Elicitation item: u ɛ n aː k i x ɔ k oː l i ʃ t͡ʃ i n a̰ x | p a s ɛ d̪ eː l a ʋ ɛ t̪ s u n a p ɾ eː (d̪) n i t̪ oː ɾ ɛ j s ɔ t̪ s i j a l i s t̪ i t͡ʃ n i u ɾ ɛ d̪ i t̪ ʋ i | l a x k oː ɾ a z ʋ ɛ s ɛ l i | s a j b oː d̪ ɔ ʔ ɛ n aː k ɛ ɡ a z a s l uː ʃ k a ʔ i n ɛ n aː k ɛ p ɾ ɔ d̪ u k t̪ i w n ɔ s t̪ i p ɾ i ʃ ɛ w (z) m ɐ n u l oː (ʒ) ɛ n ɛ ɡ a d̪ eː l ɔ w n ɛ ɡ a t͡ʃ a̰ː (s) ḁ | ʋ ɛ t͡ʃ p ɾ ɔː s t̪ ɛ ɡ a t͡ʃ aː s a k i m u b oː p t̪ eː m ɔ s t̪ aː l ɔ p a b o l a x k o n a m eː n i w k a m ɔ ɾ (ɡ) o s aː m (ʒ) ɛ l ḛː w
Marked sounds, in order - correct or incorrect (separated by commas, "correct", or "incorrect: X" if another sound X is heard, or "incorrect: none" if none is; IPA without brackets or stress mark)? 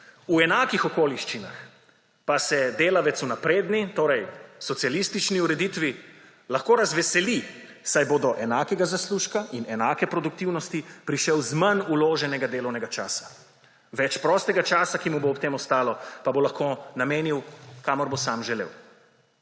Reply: correct, correct, correct, correct, incorrect: b, correct